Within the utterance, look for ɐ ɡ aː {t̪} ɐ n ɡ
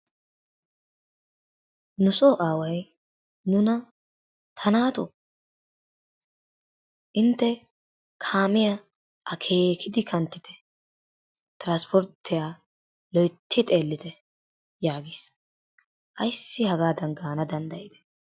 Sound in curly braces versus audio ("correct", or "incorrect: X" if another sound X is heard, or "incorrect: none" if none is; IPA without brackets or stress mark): incorrect: d̪